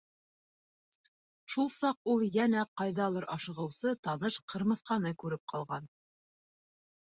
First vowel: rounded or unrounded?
rounded